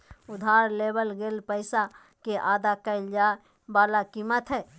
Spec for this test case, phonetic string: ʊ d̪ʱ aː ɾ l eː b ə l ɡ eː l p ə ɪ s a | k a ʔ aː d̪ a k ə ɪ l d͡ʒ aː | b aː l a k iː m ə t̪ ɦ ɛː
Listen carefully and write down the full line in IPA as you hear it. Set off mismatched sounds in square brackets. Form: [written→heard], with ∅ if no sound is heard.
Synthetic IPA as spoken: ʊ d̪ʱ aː ɾ l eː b ə l ɡ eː l p ə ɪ s a | k [a→e] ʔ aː d̪ a k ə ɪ l d͡ʒ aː | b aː l a k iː m ə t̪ ɦ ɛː